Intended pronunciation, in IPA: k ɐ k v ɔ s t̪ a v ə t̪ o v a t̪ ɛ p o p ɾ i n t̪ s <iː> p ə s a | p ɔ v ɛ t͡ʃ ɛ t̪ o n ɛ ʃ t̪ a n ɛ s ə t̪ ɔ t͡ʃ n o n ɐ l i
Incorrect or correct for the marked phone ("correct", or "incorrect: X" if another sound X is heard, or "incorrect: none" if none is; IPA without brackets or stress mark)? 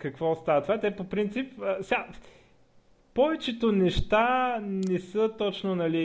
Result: incorrect: i